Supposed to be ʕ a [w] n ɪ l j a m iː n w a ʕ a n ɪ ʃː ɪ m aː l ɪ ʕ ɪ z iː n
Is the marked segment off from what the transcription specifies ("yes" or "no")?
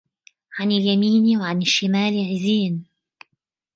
yes